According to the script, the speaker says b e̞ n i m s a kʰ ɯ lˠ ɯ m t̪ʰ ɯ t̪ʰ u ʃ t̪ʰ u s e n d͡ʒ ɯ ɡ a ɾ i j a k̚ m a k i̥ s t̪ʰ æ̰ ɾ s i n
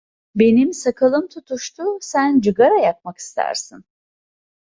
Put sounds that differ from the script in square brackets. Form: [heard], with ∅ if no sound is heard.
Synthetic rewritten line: b e̞ n i m s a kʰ ɯ lˠ ɯ m t̪ʰ [u] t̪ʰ u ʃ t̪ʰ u s [æ] n d͡ʒ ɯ ɡ a ɾ [a] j a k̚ m a k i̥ s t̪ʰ æ̰ ɾ s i n

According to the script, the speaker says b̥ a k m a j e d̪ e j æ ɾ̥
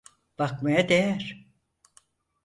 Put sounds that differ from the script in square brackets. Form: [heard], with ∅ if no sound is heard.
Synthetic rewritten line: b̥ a k m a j [a] d̪ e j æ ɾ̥

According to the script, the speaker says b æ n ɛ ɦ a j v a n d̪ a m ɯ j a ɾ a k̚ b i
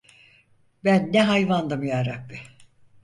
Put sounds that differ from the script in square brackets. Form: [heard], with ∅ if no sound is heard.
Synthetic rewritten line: b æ [nː] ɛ ɦ a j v a n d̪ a m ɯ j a ɾ a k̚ b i

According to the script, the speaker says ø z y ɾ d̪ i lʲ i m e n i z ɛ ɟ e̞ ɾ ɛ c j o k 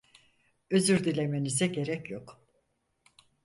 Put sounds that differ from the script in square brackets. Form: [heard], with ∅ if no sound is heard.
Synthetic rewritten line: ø z y ɾ d̪ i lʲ [e] m e n i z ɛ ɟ e̞ ɾ ɛ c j o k

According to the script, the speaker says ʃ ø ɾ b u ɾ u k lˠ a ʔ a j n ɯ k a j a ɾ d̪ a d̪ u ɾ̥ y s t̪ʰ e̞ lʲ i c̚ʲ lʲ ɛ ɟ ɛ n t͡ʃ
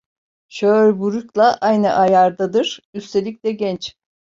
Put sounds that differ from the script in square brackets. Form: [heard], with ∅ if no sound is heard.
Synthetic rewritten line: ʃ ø ɾ b u ɾ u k lˠ a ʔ a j n ɯ [ʔ] a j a ɾ d̪ a d̪ [ɯ] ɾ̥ y s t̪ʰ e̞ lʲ i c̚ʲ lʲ ɛ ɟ ɛ n t͡ʃ

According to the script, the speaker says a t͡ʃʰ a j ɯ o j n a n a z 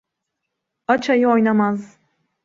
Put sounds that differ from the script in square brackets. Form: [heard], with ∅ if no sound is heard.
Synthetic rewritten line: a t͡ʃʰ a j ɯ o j n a [m] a z

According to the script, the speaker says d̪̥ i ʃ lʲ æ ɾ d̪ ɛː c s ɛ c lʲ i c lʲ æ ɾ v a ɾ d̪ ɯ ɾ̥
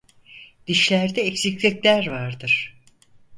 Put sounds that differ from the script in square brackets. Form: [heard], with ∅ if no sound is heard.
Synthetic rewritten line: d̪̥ i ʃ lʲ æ ɾ d̪ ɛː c s [i] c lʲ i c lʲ æ ɾ v a ɾ d̪ ɯ ɾ̥

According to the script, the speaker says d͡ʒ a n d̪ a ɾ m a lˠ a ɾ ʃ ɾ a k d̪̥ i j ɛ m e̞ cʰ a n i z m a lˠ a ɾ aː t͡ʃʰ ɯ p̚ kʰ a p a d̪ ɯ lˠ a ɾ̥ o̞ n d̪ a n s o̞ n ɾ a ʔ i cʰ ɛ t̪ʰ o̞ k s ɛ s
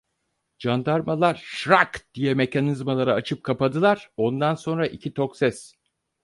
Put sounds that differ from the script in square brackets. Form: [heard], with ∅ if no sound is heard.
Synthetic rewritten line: d͡ʒ a n d̪ a ɾ m a lˠ a ɾ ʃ ɾ a k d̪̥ i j ɛ m e̞ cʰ a n i z m a lˠ a ɾ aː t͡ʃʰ ɯ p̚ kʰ a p a d̪ ɯ lˠ a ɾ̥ o̞ n d̪ a n s o̞ n ɾ a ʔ i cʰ [i] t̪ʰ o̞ k s ɛ s

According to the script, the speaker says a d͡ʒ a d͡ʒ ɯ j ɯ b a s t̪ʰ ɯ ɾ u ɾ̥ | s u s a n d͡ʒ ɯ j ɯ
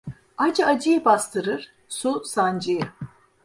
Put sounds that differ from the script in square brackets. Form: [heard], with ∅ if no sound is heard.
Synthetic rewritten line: a d͡ʒ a d͡ʒ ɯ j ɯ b a s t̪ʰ ɯ ɾ [ɯ] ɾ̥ | s u s a n d͡ʒ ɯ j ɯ

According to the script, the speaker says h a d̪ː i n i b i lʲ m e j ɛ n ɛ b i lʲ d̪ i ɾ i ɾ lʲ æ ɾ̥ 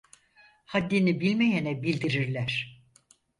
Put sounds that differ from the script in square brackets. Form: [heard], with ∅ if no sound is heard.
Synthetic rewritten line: h a d̪ː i n i b i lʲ m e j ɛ n ɛ b i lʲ d̪ i ɾ i ɾ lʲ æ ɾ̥

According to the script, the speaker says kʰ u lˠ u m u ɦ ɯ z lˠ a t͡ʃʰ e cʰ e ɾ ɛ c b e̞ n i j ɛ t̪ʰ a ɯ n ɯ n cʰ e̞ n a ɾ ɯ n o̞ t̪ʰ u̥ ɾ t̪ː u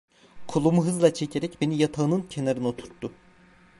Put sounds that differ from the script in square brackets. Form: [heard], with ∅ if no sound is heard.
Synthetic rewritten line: kʰ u lˠ u m u ɦ ɯ z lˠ a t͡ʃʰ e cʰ e ɾ ɛ c b e̞ n i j [a] t̪ʰ a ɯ n ɯ n cʰ e̞ n a ɾ ɯ n o̞ t̪ʰ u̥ ɾ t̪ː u

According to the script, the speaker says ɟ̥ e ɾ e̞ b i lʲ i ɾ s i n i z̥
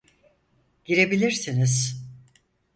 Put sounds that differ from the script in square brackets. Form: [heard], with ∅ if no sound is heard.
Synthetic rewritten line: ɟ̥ [i] ɾ e̞ b i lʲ i ɾ s i n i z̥

